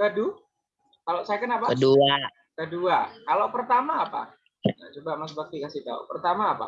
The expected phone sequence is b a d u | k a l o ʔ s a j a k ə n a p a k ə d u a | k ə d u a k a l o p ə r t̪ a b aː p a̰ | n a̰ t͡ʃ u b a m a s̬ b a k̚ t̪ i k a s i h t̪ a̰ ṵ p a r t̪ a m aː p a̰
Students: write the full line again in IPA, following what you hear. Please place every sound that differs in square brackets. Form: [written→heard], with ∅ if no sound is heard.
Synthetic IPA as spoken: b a d u | k a l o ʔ s a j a k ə n a p a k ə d u a | k ə d u a k a l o p ə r t̪ a [b→m] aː p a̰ | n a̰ t͡ʃ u b a m a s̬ b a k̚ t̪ i k a s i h t̪ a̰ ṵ p [a→ə] r t̪ a m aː p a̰